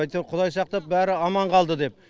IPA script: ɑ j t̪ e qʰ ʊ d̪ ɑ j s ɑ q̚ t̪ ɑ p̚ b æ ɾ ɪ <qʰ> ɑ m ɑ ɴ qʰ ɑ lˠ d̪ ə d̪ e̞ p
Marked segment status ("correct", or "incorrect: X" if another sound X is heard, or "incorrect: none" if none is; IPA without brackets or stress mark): incorrect: none